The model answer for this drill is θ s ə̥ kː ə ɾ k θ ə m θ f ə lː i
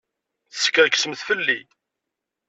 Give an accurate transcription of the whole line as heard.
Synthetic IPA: θ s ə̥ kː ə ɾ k s ə m θ f ə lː i